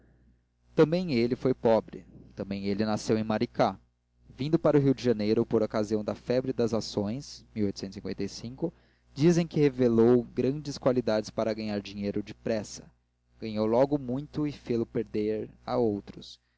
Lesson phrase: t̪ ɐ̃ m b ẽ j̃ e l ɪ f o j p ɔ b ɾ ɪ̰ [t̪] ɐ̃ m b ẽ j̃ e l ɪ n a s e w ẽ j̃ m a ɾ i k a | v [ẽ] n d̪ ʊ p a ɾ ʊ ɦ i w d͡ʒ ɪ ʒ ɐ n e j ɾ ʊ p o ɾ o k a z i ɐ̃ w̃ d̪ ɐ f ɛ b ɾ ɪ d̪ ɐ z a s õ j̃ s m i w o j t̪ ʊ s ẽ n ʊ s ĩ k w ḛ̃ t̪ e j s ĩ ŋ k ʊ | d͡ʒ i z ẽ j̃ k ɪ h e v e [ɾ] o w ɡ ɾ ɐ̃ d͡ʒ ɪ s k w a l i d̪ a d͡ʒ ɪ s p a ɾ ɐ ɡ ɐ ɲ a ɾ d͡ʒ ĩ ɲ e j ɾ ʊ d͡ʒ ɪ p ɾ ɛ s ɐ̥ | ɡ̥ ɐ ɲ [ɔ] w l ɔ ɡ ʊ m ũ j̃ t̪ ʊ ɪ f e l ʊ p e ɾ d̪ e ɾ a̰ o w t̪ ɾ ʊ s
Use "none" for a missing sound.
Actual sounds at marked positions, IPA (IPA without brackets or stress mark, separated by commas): t̪, ĩ, l, o